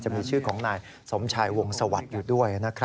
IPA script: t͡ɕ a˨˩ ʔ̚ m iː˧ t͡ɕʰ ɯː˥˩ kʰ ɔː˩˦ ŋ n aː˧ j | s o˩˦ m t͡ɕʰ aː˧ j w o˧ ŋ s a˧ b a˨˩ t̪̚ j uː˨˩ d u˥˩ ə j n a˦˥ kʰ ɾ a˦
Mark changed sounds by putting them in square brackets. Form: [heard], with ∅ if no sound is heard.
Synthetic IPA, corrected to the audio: t͡ɕ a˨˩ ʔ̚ m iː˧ t͡ɕʰ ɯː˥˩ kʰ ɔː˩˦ ŋ n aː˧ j | s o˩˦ m t͡ɕʰ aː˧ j w o˧ ŋ s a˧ [w] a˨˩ t̪̚ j uː˨˩ d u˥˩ ə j n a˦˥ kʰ ɾ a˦